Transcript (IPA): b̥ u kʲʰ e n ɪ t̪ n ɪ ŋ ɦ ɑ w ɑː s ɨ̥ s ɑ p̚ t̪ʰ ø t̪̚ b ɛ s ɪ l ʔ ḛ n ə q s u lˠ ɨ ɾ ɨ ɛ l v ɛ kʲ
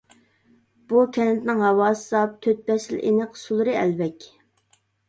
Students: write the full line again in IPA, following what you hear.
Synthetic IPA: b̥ u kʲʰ ɛ n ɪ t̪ n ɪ ŋ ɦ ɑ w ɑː s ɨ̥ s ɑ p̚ t̪ʰ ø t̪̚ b ɛ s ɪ l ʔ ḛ n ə q s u lˠ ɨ ɾ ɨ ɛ l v ɛ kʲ